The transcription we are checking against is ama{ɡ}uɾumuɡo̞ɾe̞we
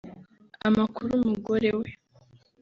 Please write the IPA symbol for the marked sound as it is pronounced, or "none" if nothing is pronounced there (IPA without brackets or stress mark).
k